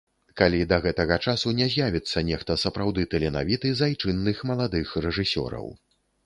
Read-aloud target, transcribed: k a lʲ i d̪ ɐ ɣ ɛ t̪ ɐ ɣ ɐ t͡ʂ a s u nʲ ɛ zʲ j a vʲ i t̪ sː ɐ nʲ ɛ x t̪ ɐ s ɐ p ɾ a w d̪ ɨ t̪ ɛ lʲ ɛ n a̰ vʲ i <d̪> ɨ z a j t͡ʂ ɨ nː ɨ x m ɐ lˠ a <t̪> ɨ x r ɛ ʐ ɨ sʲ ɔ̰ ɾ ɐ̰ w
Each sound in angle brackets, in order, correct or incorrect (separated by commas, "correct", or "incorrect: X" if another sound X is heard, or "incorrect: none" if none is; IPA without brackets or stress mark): incorrect: t̪, incorrect: d̪